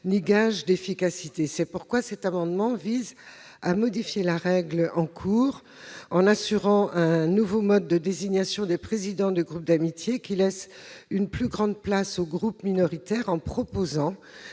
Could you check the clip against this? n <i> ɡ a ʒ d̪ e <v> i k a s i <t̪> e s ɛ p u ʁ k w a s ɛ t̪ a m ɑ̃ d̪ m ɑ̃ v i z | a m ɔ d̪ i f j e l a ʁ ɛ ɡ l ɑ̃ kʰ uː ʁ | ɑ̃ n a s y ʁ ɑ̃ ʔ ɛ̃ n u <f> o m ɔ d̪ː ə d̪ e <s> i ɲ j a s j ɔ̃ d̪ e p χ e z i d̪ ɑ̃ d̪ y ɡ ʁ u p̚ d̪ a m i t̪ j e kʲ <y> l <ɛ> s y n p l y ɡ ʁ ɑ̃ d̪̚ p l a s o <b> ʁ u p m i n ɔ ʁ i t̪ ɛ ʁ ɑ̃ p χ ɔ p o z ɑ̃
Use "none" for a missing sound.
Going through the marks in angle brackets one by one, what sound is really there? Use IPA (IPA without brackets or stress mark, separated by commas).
i, f, t̪, v, z, i, ɛ, ɡ